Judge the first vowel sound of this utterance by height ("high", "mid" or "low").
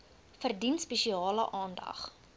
mid